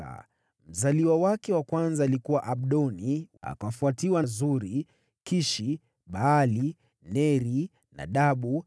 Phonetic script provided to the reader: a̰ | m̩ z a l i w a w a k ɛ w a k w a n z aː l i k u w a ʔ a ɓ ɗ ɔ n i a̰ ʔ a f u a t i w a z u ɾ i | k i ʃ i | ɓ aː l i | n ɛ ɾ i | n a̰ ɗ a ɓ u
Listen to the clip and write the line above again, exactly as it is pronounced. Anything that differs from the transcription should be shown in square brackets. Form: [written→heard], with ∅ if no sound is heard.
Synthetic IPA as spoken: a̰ | m̩ z a l i w a w a k ɛ w a k w a n z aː l i k u w a ʔ a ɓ ɗ ɔ n i a̰ [ʔ→k] a f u a t i w a z u ɾ i | k i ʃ i | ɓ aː l i | n ɛ ɾ i | n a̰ ɗ a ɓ u